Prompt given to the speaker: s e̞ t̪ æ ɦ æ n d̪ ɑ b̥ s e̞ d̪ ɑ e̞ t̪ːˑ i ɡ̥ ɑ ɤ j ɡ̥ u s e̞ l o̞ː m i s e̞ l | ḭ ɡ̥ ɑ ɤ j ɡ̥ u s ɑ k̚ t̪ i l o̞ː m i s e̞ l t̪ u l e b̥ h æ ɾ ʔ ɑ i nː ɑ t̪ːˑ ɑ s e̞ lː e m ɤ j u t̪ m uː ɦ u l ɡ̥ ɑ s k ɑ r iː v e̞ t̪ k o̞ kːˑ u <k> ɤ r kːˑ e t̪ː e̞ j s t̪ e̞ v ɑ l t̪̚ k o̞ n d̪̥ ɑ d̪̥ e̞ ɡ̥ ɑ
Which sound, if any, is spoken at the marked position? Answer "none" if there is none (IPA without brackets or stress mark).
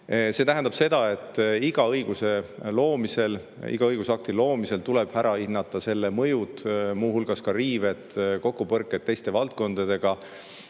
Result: p